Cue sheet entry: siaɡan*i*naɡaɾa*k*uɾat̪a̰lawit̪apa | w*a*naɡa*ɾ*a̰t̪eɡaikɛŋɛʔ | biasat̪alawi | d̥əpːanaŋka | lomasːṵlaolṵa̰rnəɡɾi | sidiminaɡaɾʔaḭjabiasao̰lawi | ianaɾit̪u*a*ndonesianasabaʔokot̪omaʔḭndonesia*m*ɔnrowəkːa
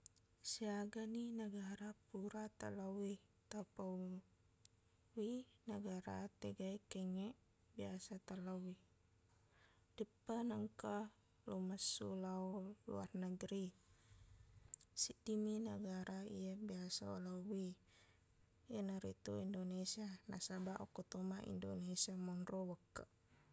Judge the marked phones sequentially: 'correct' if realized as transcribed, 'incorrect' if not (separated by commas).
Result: correct, incorrect, incorrect, correct, incorrect, correct